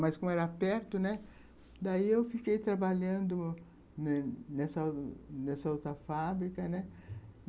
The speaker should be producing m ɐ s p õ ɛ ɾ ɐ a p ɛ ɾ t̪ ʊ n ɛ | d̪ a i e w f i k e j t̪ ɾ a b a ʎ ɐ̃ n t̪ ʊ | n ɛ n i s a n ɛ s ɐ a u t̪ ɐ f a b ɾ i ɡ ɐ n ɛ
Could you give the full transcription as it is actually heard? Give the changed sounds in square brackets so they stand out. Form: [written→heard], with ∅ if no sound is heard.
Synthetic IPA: m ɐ s [p→k] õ ɛ ɾ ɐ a p ɛ ɾ t̪ ʊ n ɛ | d̪ a i e w f i k e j t̪ ɾ a b a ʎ ɐ̃ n [t̪→d̪] ʊ | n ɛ n [i→ɛ] s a n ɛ s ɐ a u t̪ ɐ f a b ɾ i [ɡ→k] ɐ n ɛ